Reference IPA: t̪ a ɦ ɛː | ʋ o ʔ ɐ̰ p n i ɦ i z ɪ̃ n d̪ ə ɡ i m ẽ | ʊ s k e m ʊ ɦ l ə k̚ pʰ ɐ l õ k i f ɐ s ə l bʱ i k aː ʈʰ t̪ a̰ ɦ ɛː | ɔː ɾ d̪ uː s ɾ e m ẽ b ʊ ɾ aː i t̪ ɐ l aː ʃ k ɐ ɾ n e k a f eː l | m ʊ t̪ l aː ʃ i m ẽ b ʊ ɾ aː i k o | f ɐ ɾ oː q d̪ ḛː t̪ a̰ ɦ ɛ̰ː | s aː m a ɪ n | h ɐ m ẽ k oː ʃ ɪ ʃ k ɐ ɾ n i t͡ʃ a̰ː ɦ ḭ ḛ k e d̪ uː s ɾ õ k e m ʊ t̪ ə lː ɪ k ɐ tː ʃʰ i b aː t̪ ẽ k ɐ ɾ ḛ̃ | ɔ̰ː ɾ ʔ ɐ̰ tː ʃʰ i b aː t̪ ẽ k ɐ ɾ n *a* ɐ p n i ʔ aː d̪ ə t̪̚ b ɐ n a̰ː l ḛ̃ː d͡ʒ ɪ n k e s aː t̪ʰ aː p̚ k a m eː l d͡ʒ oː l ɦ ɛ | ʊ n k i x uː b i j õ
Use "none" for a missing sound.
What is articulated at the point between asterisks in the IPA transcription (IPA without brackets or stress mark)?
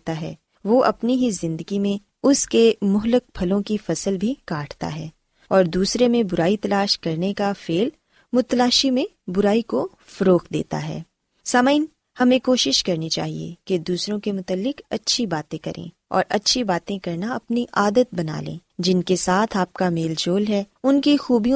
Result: a